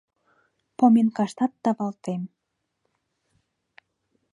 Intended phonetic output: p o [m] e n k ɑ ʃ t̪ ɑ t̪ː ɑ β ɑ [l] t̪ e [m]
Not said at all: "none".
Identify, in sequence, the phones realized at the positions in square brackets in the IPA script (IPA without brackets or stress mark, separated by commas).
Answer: m, l, m